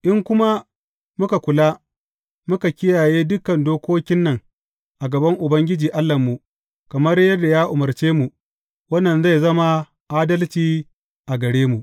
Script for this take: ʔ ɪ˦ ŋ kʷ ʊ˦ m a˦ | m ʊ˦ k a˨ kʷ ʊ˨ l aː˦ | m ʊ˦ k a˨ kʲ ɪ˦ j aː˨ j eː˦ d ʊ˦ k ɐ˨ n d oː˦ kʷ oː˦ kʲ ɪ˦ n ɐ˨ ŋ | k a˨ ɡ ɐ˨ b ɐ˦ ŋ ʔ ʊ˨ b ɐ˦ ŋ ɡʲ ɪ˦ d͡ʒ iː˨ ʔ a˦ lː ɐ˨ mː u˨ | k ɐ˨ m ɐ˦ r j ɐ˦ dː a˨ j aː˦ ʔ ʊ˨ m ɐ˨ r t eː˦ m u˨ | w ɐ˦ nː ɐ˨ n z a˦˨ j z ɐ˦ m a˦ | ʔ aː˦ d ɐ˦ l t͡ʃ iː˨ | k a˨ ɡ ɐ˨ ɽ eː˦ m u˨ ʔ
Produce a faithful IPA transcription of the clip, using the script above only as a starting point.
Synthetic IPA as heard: ʔ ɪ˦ ŋ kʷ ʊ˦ m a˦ | m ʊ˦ k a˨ kʷ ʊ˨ l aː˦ | m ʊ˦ k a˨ kʲ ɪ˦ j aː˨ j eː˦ d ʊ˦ k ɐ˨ n d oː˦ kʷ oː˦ kʲ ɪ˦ nː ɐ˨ ŋ | ʔ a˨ ɡ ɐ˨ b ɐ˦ ŋ ʔ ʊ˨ b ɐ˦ ŋ ɡʲ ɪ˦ d͡ʒ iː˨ ʔ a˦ lː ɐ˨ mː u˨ | k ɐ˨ m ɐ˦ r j ɐ˦ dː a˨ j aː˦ ʔ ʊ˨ m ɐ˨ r t͡ʃ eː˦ m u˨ | w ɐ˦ nː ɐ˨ n z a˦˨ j z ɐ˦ m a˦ | ʔ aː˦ d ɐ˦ l t͡ʃ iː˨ | ʔ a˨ ɡ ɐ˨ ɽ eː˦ m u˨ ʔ